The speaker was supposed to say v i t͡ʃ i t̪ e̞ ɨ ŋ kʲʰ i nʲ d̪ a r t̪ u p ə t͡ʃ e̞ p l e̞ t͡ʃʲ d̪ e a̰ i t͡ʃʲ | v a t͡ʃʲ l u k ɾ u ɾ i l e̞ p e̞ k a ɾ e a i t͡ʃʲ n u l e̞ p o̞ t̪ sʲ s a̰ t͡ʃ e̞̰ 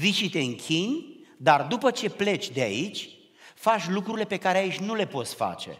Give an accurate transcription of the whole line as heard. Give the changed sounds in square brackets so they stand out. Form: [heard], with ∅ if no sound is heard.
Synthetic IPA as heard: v i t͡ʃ i t̪ e̞ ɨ ŋ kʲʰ i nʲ d̪ a r [d̪] u p ə t͡ʃ e̞ p l e̞ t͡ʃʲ d̪ e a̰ i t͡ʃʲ | [f] a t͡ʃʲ l u k ɾ u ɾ i l e̞ p e̞ k a ɾ e a i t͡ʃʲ n u l e̞ p o̞ t̪ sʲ [f] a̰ t͡ʃ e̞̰